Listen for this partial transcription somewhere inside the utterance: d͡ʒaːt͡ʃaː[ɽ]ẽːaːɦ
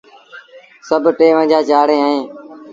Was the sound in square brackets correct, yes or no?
yes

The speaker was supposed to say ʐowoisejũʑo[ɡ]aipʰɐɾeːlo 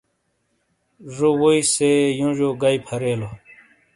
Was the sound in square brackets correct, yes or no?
yes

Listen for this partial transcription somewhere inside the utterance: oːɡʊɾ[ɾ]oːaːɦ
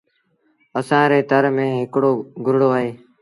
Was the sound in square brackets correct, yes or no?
no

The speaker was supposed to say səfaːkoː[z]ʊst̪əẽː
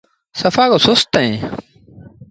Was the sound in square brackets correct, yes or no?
no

